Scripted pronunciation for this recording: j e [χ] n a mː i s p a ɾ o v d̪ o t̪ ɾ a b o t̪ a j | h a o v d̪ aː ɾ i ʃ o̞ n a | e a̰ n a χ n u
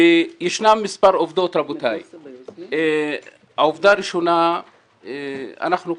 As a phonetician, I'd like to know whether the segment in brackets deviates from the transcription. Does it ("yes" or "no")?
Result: yes